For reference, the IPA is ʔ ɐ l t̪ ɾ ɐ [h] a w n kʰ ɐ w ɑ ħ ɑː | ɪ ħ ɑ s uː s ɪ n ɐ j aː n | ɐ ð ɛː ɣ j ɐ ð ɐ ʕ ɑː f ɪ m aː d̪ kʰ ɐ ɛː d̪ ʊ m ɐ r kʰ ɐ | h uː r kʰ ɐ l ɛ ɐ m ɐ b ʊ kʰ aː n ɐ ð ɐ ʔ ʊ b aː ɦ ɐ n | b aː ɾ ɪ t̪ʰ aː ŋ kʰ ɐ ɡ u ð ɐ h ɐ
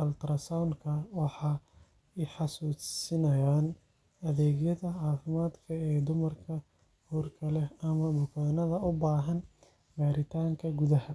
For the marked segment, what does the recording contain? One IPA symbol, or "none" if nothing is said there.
s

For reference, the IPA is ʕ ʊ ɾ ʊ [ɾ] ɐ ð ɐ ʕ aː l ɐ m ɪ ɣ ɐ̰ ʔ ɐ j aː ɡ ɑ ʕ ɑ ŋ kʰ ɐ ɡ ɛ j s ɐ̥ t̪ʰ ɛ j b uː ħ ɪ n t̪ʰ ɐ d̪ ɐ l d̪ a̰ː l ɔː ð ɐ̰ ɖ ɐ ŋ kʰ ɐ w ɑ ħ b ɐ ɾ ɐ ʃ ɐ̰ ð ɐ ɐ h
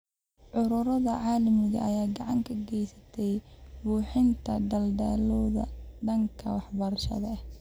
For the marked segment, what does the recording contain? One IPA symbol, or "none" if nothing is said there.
ɾ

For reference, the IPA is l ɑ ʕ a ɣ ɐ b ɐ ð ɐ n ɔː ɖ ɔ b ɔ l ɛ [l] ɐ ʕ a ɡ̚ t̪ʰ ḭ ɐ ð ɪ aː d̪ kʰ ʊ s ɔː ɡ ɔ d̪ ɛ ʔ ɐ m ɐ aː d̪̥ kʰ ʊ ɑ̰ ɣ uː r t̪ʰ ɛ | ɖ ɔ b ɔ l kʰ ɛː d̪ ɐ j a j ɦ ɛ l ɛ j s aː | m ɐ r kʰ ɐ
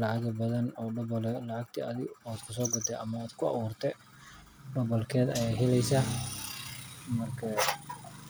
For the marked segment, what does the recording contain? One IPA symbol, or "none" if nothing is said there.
l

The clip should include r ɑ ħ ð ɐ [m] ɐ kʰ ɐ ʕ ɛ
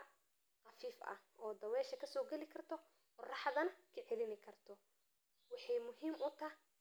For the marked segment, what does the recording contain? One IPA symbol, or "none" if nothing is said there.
n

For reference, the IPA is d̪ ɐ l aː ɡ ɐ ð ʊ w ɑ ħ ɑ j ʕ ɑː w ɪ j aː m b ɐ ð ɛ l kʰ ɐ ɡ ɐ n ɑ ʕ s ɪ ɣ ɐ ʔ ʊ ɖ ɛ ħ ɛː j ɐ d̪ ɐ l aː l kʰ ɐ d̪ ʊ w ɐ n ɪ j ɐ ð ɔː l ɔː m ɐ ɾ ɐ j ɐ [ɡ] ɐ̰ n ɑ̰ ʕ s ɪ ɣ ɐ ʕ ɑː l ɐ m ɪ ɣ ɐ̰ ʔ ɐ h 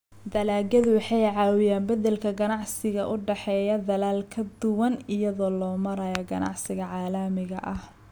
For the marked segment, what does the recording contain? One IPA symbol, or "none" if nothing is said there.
ɡ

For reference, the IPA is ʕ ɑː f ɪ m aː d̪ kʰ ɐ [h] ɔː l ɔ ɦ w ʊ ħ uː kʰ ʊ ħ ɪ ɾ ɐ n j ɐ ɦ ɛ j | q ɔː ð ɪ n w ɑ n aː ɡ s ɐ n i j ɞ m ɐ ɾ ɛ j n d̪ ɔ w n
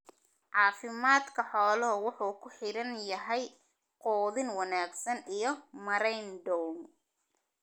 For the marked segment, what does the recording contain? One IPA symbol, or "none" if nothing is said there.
ħ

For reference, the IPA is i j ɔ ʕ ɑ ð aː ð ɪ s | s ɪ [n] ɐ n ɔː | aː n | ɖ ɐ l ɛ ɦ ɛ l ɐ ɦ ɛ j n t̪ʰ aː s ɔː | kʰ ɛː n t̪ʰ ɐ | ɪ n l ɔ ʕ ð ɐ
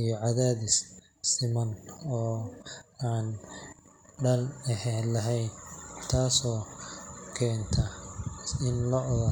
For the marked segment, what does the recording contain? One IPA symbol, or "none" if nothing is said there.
m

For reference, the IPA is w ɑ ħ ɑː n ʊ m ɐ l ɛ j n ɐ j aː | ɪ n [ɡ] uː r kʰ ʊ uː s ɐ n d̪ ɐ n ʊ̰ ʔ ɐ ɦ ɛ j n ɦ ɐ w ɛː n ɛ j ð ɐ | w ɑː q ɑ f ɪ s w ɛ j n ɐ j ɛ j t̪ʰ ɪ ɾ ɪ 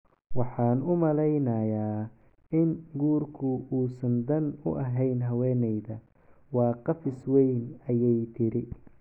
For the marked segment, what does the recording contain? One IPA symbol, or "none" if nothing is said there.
ɡ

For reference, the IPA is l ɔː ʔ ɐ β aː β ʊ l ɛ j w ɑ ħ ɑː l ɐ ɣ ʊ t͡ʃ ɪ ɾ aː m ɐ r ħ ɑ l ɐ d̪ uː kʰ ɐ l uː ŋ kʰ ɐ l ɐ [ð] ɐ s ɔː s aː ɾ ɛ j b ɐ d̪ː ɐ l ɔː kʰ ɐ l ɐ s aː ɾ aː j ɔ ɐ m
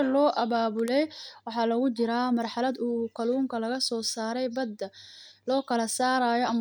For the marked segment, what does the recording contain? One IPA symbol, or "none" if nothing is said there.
ɣ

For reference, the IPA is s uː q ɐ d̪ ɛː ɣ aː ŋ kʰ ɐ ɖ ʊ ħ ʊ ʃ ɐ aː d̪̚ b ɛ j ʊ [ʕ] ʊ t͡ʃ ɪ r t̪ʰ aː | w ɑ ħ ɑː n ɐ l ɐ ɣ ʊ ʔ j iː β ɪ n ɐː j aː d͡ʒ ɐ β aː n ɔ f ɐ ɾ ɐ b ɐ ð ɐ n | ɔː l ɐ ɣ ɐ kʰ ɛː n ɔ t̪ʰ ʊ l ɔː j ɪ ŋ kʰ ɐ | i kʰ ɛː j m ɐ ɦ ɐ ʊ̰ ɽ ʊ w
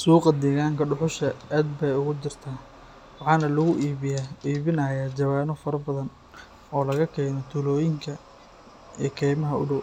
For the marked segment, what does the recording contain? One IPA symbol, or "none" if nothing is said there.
ɣ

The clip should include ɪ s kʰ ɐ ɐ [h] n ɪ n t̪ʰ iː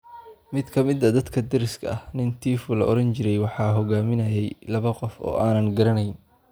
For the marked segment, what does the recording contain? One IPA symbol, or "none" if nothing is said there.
h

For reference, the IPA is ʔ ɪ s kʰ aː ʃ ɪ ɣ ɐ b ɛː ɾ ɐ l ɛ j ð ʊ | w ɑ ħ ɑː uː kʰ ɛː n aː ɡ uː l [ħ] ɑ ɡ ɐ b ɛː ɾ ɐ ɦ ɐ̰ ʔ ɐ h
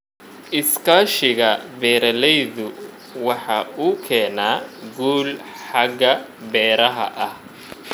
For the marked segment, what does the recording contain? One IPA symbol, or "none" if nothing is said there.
ħ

